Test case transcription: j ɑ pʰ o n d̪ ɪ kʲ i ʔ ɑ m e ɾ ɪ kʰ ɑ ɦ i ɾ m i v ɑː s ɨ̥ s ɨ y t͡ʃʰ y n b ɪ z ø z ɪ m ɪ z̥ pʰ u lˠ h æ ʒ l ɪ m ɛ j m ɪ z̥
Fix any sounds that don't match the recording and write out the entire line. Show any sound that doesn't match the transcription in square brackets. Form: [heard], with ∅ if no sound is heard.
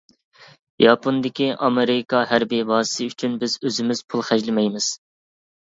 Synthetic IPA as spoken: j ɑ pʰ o n d̪ ɪ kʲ i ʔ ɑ m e ɾ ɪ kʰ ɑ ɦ [æ] ɾ [b] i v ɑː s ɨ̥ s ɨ y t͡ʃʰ y n b ɪ z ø z ɪ m ɪ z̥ pʰ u lˠ [χ] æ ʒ l ɪ m ɛ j m ɪ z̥